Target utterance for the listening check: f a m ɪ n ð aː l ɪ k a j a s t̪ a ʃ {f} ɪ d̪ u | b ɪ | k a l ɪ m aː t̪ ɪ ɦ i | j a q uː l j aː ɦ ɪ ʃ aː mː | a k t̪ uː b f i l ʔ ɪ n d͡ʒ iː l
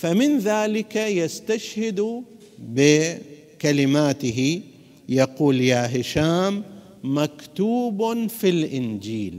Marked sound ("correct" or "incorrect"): incorrect